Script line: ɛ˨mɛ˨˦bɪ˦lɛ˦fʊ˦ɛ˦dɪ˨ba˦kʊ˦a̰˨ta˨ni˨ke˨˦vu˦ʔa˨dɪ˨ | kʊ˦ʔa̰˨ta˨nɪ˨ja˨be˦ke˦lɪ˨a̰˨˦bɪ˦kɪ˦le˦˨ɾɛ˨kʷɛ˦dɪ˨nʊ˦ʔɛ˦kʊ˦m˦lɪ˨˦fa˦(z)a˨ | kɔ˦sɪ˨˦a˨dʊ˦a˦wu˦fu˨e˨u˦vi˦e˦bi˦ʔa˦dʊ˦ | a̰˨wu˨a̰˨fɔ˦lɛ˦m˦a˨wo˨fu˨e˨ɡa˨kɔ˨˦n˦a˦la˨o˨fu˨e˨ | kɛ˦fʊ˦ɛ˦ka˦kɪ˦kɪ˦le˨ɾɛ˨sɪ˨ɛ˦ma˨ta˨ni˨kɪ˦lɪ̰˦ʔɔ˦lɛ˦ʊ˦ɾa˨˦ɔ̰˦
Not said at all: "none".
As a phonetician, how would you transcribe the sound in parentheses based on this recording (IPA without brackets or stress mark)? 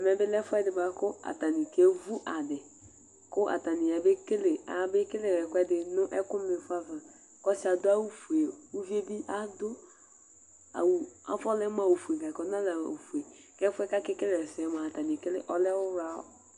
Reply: v